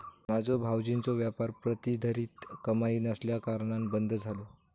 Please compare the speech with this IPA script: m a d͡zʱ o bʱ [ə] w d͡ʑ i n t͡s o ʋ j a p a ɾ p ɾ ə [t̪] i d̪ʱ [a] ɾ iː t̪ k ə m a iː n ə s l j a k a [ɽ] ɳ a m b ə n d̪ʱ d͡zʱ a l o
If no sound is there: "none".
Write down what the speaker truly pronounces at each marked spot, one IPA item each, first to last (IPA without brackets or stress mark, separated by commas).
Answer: a, t̪, ə, ɾ